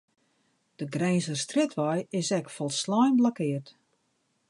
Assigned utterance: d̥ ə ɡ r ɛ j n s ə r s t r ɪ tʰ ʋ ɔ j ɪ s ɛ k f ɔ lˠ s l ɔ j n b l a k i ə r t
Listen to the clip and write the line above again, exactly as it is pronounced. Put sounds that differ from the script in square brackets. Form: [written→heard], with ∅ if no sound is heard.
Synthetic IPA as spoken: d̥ ə ɡ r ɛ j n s ə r s t r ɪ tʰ ʋ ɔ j ɪ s ɛ k f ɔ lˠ s l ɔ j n b l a k [i→ɪ] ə r t